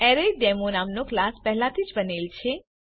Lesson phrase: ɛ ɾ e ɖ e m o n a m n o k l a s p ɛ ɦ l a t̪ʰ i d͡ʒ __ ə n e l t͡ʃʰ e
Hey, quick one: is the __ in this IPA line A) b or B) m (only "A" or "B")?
A